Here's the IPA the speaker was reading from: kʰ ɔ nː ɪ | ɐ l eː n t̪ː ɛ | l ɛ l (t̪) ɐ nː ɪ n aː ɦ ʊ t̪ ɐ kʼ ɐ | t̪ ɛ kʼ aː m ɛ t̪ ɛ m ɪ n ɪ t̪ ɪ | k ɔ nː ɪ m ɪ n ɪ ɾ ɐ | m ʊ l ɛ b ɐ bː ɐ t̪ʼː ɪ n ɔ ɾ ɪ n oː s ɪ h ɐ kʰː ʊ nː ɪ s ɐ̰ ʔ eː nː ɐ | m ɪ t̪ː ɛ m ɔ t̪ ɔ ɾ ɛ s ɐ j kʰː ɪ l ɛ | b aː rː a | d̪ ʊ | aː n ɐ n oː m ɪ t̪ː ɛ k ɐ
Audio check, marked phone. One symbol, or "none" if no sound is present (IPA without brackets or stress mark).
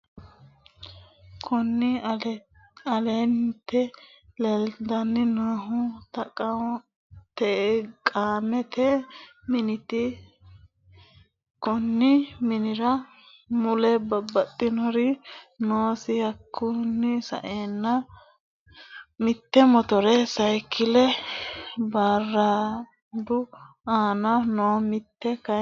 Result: d̪